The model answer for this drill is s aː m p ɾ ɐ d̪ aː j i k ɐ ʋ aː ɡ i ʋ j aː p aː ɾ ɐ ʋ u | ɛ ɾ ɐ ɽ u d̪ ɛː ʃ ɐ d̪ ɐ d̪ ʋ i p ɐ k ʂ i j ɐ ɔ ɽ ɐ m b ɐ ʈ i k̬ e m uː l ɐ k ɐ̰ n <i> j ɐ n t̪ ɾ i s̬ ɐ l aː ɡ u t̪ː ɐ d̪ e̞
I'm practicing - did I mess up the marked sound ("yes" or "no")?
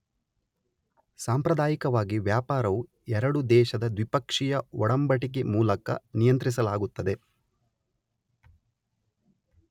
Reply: no